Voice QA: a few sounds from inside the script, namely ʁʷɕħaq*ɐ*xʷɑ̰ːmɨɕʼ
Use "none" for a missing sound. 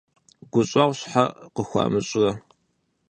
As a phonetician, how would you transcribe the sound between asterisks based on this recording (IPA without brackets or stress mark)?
ə